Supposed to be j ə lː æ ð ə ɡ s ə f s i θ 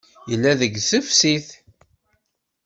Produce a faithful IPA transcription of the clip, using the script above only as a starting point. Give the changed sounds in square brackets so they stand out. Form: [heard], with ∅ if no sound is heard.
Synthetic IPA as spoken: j ə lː æ ð ə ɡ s ə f s i θ